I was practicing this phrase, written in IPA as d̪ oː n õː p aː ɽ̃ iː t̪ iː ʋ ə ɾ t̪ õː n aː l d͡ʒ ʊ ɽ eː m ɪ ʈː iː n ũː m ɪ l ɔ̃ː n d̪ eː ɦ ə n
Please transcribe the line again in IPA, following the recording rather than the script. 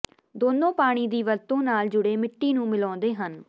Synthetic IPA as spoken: d̪ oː n õː p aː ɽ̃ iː d̪ iː ʋ ə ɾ t̪ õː n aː l d͡ʒ ʊ ɽ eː m ɪ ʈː iː n ũː m ɪ l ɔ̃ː n d̪ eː ɦ ə n